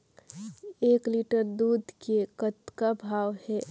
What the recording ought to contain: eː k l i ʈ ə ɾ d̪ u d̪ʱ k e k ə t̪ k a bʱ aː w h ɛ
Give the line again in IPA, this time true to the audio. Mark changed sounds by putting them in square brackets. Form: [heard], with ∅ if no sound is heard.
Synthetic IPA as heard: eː k l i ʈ ə ɾ d̪ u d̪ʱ k e k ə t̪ k a bʱ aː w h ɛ